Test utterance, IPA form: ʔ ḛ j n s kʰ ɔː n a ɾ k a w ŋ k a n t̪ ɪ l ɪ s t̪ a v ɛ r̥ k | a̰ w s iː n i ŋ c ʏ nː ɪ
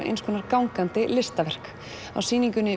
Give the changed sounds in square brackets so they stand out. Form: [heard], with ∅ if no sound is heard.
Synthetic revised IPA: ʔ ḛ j n s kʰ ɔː n a ɾ k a w ŋ k a n t̪ ɪ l ɪ s t̪ a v ɛ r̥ k | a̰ w s iː n i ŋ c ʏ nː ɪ